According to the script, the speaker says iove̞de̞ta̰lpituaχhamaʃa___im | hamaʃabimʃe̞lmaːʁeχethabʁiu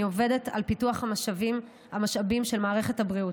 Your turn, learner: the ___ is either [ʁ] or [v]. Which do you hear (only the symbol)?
v